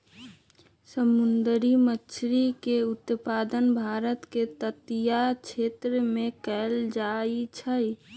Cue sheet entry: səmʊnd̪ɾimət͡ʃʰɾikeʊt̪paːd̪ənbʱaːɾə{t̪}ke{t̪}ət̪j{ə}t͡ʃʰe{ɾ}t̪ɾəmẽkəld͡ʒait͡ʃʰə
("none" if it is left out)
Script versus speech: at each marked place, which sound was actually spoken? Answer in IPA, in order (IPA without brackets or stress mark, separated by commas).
t̪, t̪, a, none